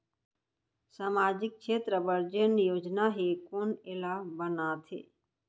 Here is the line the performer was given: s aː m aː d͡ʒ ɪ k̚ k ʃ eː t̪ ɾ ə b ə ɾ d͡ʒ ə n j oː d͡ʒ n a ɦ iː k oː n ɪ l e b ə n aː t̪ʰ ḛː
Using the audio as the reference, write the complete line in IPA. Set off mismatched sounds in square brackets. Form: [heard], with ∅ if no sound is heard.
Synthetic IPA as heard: s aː m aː d͡ʒ ɪ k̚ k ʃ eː t̪ ɾ ə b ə ɾ d͡ʒ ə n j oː d͡ʒ n a ɦ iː k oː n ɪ l [a] b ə n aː t̪ʰ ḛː